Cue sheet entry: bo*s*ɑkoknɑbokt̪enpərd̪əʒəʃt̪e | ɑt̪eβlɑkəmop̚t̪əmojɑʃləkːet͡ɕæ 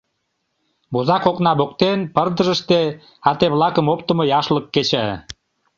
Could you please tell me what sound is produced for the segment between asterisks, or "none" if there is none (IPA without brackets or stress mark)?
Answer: z